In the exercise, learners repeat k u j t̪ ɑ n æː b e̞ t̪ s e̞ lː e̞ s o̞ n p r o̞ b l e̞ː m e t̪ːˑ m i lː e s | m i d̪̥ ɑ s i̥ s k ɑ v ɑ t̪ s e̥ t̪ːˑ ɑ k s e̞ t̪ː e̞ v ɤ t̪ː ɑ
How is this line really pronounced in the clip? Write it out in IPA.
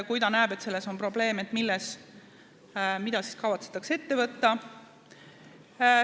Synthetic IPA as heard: k u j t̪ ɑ n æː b e̞ t̪ s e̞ lː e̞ s o̞ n p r o̞ b l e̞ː m e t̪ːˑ m i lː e s | m i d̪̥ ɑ s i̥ s k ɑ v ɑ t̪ s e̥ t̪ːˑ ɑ k s e̞ t̪ː e̞ v ɤ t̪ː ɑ